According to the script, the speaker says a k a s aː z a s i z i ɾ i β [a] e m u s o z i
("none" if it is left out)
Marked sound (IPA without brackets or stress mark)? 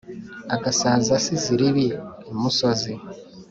i